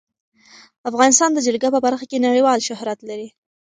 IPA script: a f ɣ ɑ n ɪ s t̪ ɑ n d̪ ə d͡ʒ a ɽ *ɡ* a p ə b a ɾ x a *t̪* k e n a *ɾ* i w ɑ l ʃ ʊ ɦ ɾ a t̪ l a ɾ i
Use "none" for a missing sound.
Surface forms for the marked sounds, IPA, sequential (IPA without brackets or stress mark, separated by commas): ɡ, none, ɽ